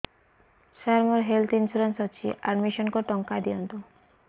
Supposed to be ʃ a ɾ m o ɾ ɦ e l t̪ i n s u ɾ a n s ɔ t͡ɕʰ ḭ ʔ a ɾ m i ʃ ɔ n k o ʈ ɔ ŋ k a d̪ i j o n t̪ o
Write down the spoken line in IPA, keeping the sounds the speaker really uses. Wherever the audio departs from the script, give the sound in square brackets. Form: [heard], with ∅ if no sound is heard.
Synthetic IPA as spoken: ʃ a ɾ m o ɾ ɦ e l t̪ i n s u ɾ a n s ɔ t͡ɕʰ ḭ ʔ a ɾ m i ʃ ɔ n k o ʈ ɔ ŋ k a d̪ i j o n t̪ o